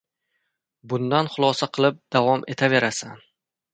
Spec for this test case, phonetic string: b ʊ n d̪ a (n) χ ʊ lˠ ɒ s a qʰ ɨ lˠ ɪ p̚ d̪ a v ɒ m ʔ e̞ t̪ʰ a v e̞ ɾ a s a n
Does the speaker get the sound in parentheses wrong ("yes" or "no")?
no